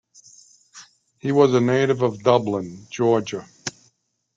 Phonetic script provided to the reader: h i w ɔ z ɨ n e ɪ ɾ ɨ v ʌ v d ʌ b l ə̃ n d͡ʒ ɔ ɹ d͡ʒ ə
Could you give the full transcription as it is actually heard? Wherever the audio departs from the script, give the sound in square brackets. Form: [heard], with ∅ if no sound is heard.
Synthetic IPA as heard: h i w [ʌ] z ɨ n e ɪ ɾ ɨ v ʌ v d ʌ b l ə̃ n d͡ʒ ɔ ɹ d͡ʒ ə